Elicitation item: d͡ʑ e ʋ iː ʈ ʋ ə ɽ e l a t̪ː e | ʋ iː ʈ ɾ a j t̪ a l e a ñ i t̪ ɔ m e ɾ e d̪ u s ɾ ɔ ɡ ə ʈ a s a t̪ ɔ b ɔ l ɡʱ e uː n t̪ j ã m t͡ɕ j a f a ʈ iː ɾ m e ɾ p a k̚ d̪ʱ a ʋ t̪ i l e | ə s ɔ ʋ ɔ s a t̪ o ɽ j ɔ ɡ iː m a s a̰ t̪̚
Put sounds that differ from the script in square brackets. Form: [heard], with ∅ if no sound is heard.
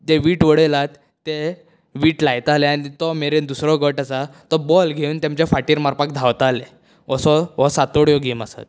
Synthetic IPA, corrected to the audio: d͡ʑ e ʋ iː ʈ ʋ ə ɽ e l a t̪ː e | ʋ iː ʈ [l] a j t̪ a l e a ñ i t̪ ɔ m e ɾ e d̪ u s ɾ ɔ ɡ ə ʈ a s a t̪ ɔ b ɔ l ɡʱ e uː n t̪ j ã m t͡ɕ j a f a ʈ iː ɾ m [a] ɾ p a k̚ d̪ʱ a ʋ t̪ [a] l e | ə s ɔ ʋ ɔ s a t̪ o ɽ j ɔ ɡ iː m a s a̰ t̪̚